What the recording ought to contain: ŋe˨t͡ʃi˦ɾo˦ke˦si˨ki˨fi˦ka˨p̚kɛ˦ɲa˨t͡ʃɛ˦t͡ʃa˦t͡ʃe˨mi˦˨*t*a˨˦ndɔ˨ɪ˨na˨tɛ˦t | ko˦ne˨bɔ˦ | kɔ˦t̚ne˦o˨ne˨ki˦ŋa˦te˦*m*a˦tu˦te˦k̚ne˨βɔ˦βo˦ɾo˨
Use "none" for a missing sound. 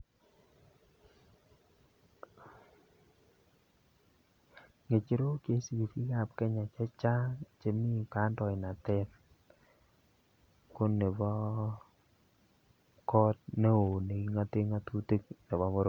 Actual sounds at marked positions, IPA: k, ŋ

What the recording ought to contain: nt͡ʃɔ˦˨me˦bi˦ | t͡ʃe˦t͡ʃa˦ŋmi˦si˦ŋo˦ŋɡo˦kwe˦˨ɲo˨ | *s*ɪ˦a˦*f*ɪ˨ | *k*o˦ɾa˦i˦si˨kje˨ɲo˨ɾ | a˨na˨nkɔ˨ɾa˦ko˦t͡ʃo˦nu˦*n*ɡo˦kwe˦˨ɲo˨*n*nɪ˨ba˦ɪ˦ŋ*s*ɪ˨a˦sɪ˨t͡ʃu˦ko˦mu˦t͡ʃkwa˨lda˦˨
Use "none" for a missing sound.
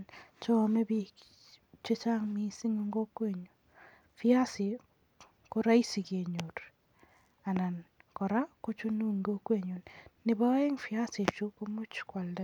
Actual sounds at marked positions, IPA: f, s, k, ŋ, n, f

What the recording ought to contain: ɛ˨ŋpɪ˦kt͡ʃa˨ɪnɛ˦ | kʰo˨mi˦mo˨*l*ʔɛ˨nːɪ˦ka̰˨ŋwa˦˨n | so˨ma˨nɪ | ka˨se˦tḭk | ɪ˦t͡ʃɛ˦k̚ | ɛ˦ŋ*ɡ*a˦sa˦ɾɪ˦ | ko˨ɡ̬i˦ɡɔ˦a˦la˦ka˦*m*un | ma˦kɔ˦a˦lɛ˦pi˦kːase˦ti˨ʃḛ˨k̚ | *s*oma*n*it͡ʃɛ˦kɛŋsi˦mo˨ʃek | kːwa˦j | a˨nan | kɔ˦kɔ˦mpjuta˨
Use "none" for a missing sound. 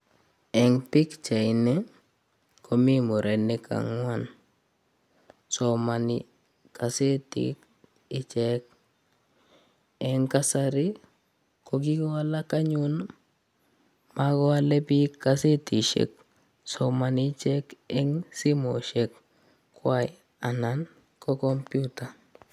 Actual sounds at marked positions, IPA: ɾ, k, ɲ, s, n

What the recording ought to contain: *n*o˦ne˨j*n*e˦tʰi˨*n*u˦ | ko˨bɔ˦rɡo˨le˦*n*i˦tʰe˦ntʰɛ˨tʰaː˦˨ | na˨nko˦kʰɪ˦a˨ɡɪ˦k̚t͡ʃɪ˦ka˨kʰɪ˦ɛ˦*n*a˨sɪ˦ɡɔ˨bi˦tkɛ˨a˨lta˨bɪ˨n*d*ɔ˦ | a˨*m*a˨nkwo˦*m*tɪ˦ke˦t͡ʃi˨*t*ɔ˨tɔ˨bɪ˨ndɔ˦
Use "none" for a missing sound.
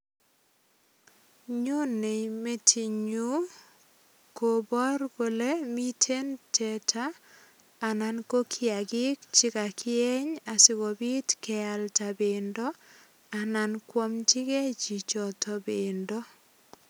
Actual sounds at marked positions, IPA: ɲ, m, ɲ, m, ɲ, d, n, m, t͡ʃ

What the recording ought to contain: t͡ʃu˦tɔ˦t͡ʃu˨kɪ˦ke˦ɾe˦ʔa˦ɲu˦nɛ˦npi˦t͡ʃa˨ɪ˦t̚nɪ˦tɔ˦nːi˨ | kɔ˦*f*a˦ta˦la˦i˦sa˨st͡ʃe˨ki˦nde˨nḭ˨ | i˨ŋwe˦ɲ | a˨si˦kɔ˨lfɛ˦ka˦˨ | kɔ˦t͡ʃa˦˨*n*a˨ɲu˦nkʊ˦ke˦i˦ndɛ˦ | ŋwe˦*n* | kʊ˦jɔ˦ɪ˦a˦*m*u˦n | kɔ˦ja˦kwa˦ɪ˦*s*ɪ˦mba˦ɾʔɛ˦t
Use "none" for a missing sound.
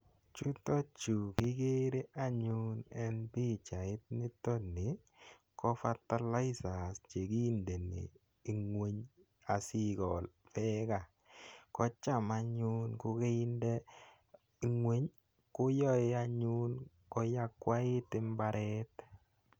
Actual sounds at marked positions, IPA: f, m, ɲ, ɲ, t

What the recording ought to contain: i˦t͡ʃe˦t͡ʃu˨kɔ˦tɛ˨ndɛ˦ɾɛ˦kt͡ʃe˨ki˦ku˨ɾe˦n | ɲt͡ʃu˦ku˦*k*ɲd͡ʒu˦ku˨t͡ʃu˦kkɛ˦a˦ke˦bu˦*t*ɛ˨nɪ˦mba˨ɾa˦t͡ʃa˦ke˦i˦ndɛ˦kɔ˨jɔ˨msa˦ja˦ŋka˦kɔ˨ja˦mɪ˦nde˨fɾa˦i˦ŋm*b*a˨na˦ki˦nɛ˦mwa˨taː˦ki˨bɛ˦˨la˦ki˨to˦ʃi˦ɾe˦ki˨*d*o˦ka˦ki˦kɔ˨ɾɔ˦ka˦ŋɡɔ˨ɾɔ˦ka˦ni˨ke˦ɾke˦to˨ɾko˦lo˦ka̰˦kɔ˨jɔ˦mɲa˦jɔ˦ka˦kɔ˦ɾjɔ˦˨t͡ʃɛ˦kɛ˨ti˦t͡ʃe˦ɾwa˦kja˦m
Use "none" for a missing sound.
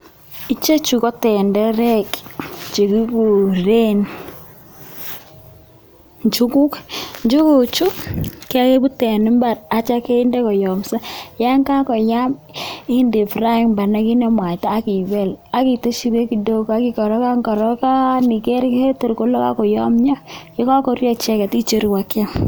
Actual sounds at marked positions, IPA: k, t, b, d

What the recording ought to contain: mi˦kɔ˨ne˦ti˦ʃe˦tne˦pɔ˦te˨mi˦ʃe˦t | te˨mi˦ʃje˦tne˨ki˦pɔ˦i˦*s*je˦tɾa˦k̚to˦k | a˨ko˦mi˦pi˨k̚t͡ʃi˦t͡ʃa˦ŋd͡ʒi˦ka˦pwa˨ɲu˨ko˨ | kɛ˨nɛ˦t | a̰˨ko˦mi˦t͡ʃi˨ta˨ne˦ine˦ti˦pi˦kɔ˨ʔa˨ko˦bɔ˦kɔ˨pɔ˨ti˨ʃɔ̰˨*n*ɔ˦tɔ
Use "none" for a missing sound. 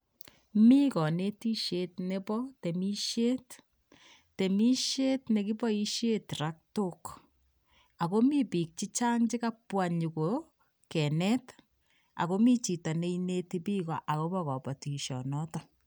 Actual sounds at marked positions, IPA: ʃ, n

